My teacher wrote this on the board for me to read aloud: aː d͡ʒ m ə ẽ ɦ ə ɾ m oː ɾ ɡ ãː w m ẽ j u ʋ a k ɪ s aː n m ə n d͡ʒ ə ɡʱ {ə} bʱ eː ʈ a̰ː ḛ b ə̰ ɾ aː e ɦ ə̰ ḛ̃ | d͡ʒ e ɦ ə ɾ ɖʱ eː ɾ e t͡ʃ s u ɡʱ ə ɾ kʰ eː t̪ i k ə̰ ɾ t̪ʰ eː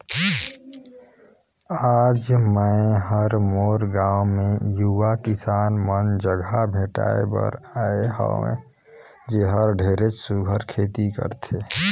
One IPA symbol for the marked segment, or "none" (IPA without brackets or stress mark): a